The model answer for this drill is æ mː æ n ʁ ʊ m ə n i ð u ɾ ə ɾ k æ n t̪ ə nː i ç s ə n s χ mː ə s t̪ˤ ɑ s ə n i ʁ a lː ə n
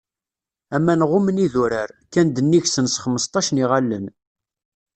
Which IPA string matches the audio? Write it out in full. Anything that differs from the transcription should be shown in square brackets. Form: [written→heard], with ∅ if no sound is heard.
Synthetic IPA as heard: æ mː æ n ʁ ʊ m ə n i ð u ɾ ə ɾ k æ n [t̪→d̪] ə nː i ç s ə n s χ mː ə s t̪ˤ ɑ [s→ʃ] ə n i ʁ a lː ə n